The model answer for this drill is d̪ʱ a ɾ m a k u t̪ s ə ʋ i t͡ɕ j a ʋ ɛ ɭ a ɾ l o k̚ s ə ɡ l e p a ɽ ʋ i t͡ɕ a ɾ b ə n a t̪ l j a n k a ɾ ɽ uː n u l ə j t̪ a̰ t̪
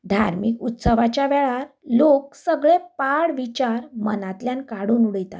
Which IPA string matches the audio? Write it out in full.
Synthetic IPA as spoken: d̪ʱ a ɾ m i k u t̪ s ə ʋ a t͡ɕ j a ʋ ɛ ɭ a ɾ l o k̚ s ə ɡ ɭ e p a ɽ ʋ i t͡ɕ a ɾ m ə n a t̪ l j a n k a ɽ uː n u ɽ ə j t̪ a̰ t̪